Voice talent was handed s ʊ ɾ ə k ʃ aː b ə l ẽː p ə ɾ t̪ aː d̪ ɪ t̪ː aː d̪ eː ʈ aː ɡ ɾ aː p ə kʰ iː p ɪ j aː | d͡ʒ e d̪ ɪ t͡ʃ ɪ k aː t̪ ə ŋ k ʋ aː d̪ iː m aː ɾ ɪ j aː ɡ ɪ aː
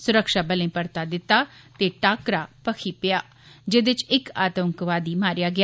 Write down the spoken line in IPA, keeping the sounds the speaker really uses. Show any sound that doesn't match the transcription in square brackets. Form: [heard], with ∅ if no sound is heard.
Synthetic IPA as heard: s ʊ ɾ ə k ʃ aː b ə l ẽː p ə ɾ t̪ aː d̪ ɪ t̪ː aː [t̪] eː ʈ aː [k] ɾ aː p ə kʰ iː p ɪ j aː | d͡ʒ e d̪ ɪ t͡ʃ ɪ k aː t̪ ə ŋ k ʋ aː d̪ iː m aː ɾ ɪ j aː ɡ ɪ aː